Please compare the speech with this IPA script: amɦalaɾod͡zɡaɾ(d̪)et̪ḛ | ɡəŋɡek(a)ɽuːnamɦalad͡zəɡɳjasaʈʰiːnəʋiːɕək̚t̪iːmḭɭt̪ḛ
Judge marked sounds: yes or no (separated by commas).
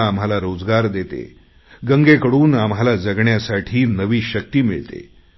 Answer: yes, no